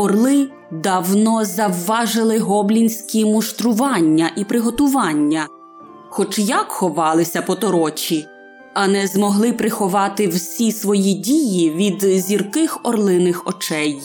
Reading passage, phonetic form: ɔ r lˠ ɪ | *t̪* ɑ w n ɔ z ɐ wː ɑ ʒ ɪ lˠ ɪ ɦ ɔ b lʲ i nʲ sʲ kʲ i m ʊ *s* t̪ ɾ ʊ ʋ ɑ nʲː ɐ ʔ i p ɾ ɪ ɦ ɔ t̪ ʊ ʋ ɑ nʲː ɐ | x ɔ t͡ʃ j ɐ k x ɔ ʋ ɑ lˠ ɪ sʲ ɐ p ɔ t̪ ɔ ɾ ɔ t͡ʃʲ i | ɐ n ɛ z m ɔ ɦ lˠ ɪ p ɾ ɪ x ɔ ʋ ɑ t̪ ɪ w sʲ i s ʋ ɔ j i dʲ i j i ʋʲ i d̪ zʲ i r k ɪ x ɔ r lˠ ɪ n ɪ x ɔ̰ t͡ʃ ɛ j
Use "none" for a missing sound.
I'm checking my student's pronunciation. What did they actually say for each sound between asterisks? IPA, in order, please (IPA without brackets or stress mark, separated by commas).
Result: d̪, ʃ